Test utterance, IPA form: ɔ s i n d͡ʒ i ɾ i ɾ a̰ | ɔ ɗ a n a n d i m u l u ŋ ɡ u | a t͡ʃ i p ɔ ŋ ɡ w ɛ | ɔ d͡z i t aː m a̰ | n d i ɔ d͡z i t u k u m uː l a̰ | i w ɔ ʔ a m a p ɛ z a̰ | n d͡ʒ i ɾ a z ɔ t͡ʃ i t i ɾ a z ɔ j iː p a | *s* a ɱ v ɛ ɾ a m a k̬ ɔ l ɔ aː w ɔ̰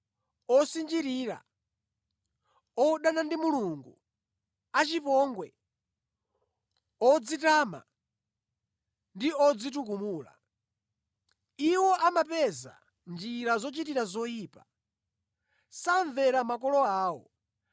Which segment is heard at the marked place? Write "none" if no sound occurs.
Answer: s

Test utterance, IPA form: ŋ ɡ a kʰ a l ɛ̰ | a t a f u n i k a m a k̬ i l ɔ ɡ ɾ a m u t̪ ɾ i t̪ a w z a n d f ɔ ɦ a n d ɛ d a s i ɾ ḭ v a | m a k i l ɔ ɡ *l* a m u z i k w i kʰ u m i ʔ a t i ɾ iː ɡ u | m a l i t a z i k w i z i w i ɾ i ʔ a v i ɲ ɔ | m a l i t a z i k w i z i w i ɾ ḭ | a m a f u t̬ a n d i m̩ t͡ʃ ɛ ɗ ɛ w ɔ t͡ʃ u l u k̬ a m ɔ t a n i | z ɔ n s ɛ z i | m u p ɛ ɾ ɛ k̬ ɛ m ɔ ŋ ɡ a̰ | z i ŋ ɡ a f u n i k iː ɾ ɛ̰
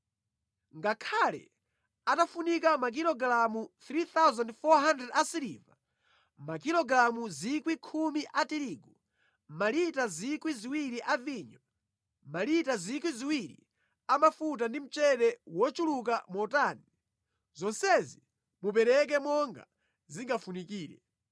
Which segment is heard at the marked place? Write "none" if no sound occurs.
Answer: ɾ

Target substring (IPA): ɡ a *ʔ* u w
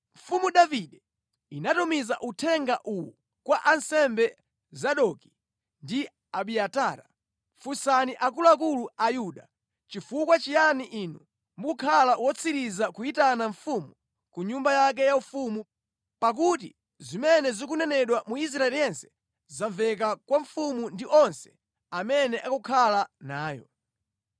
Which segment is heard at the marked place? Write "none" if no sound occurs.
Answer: ʔ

